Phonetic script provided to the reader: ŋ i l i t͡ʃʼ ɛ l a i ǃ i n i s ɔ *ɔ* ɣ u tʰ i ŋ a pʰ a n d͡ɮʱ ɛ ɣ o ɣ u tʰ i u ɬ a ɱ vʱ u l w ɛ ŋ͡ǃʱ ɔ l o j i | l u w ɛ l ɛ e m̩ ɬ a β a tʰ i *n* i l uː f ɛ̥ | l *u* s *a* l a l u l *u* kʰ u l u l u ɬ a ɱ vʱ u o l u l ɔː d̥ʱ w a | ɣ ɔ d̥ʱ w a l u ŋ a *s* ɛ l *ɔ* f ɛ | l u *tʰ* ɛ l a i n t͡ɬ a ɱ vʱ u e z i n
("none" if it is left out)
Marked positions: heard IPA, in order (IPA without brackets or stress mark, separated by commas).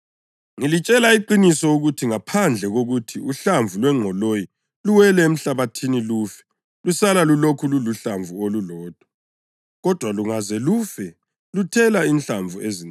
u, n, u, a, o, z, u, tʰ